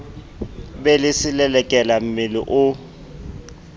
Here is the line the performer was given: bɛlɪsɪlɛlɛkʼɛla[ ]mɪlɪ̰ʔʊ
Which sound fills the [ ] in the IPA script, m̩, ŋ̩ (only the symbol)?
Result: m̩